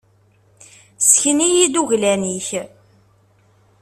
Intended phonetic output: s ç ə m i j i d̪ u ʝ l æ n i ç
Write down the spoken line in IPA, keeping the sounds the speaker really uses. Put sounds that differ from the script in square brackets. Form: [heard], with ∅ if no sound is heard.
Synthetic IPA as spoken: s ç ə [n] i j i d̪ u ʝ l æ n i ç